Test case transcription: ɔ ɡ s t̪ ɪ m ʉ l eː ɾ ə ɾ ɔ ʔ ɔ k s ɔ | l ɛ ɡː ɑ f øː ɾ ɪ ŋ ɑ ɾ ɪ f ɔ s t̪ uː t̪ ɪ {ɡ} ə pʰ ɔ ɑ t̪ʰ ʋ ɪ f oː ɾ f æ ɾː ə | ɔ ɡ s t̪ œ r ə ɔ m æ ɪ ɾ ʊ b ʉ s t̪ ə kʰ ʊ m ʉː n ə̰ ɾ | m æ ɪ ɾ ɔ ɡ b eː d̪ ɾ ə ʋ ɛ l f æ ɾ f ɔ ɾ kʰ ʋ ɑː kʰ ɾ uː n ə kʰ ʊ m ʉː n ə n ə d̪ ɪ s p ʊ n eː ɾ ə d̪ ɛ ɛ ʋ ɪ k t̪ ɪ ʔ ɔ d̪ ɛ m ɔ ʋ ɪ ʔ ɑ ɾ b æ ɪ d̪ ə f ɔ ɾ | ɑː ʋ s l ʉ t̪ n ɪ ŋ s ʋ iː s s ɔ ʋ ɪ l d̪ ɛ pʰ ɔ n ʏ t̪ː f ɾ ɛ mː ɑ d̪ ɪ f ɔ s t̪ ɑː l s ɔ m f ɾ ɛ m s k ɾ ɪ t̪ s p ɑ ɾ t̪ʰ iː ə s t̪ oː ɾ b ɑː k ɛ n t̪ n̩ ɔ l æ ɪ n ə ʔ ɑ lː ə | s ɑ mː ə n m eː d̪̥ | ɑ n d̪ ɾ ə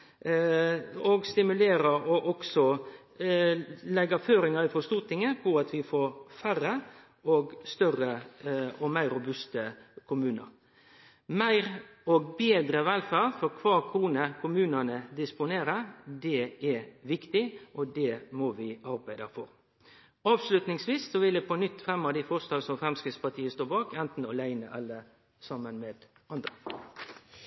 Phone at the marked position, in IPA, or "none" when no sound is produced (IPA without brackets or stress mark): ŋ